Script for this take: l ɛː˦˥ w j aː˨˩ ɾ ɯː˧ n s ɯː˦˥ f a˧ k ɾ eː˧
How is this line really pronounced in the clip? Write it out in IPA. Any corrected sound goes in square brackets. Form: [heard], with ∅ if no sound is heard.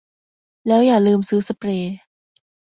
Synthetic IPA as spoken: l ɛː˦˥ w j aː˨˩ [l] ɯː˧ [m] s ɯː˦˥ [s] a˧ [p] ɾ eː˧